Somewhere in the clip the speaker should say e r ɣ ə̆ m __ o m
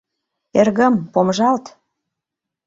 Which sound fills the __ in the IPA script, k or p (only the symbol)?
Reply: p